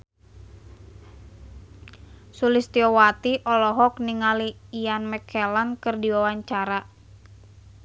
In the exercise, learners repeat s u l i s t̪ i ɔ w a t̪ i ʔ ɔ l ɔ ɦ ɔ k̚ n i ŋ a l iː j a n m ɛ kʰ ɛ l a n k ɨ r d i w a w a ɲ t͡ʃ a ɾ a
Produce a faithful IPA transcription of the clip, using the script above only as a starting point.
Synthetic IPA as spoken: s u l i s t̪ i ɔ w a t̪ i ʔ ɔ l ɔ ɦ ɔ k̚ n i ŋ a l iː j a n m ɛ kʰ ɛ l a n k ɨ r d i w a w a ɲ t͡ʃ a ɾ a